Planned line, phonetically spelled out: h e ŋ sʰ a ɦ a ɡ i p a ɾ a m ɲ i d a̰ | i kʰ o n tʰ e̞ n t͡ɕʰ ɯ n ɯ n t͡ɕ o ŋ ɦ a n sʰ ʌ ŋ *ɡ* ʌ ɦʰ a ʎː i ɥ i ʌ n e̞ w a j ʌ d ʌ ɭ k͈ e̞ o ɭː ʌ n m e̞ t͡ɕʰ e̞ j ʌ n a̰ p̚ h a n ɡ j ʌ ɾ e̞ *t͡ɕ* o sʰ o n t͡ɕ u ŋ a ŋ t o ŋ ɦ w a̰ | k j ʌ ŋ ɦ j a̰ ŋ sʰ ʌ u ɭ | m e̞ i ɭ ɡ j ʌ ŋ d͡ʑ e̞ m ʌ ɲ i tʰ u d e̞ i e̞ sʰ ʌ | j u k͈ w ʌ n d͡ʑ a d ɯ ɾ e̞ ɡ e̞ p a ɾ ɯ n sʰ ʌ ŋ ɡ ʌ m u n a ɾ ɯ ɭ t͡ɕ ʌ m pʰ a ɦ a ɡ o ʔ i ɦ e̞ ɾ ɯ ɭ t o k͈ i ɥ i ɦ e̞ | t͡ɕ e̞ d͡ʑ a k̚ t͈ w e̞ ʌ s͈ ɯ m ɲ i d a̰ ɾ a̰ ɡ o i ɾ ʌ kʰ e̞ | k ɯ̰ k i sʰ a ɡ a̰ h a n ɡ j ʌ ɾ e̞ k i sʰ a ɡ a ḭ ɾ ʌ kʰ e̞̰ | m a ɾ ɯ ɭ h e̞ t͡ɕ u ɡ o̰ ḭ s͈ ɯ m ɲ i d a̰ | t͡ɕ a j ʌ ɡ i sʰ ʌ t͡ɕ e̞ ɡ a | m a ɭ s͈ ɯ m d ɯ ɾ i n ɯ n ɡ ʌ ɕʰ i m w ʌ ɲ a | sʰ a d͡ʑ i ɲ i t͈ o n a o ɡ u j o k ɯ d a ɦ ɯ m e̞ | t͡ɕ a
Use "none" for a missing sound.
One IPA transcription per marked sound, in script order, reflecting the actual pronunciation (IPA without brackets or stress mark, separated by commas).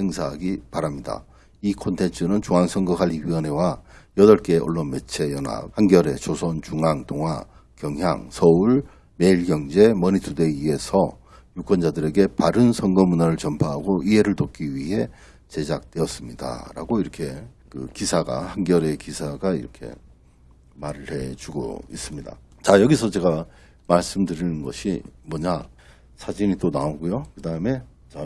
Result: ɡ, t͡ɕ